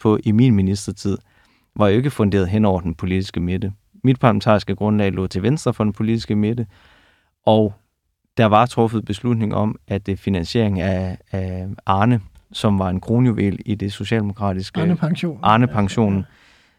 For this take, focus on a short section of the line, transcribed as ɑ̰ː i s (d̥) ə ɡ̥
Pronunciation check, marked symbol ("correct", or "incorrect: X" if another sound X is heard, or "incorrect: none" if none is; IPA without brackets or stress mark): incorrect: ɡ̥